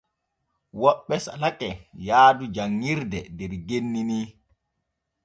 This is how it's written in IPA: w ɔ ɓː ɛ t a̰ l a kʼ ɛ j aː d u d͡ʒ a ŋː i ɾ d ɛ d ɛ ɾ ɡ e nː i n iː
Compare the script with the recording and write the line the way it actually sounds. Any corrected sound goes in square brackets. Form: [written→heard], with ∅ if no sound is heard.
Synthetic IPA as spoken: w ɔ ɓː ɛ [t→s] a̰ l a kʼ ɛ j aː d u d͡ʒ a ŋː i ɾ d ɛ d ɛ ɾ ɡ e nː i n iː